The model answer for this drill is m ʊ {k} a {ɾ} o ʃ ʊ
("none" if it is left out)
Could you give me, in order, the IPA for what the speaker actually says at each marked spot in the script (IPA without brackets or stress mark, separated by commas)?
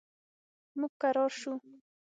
k, ɾ